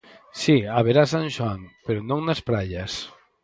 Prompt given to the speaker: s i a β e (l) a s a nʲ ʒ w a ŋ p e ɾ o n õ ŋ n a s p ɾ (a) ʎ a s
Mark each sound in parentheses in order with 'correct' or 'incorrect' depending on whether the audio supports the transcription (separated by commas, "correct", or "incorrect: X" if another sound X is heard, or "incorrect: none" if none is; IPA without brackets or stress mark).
incorrect: ɾ, correct